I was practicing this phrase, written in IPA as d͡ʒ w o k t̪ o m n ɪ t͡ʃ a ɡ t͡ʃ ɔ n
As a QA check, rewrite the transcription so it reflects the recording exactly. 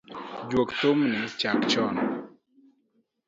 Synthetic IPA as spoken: d͡ʒ w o k t̪ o m n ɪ t͡ʃ a k t͡ʃ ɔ n